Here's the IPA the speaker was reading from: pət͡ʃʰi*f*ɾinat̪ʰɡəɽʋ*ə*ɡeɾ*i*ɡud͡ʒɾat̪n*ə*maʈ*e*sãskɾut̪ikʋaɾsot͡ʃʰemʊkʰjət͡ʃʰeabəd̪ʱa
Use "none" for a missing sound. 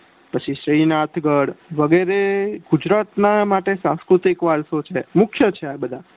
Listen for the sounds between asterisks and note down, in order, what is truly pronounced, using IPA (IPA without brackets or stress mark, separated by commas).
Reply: ʃ, ə, e, a, e